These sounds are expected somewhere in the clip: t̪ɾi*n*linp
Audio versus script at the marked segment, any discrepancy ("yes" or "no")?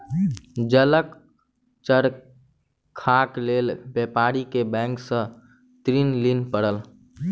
no